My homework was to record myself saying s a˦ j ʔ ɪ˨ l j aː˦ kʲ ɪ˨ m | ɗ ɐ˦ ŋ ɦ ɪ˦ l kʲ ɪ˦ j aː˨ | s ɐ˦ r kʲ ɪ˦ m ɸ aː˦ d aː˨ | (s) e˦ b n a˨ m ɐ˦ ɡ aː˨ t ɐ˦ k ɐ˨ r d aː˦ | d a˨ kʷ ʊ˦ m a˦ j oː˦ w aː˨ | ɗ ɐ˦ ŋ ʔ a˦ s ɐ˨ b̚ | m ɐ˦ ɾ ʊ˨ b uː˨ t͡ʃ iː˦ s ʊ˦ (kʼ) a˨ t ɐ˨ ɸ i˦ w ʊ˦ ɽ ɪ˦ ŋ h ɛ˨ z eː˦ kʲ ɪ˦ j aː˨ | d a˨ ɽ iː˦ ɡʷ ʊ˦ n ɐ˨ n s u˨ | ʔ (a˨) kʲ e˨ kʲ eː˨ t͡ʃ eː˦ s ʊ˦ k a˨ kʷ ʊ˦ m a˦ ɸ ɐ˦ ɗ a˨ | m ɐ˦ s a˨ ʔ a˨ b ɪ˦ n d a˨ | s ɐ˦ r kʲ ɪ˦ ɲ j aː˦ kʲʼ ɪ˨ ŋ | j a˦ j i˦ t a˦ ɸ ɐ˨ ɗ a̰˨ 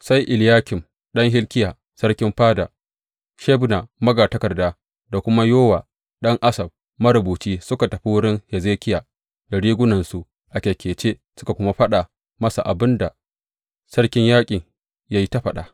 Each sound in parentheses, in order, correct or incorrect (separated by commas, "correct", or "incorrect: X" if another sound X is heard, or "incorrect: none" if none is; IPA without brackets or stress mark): incorrect: ʃ, incorrect: k, correct